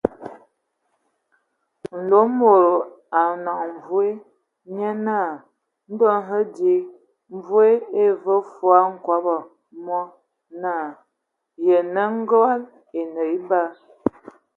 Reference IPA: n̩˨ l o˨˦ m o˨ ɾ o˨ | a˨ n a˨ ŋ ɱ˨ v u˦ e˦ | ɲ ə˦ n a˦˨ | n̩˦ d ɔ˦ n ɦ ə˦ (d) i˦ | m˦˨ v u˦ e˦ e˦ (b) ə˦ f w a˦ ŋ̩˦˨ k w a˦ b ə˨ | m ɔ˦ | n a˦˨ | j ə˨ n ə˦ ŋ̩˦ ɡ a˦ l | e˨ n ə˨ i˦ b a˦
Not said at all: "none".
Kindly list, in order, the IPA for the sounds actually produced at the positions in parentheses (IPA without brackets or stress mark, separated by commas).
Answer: d, v